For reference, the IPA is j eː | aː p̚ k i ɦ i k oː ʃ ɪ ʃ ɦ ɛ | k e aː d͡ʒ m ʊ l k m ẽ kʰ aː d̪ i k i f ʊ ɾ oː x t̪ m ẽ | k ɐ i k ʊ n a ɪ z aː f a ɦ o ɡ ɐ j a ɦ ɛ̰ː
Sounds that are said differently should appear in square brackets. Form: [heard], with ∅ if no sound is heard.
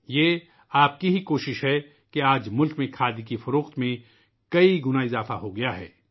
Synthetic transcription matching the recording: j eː | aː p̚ k i ɦ i k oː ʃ ɪ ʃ ɦ ɛ | k e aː d͡ʒ m ʊ l k m ẽ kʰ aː d̪ i k i f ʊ ɾ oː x t̪ m ẽ | k ɐ i [ɡ] ʊ n a ɪ z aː f a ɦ o ɡ ɐ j a ɦ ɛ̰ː